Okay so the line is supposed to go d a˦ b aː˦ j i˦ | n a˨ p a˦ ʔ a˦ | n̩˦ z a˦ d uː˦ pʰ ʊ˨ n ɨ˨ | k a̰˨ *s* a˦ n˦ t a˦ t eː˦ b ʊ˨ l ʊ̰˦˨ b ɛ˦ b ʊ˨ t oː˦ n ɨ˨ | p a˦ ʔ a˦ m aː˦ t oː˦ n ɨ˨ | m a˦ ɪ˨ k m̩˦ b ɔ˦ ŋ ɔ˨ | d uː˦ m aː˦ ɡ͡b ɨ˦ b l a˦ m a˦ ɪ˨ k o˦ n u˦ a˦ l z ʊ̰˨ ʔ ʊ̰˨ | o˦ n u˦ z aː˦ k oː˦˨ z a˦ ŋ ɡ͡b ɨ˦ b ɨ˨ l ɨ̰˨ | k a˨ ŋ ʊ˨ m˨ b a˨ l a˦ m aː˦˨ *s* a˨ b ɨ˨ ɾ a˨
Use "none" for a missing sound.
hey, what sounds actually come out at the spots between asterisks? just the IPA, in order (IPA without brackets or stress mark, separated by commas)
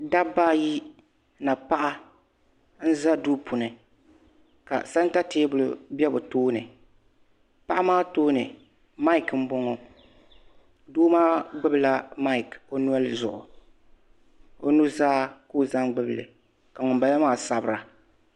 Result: s, s